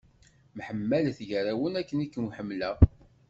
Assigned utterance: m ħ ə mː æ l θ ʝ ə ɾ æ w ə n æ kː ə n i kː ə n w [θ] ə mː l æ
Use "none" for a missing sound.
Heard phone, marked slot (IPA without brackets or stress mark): ħ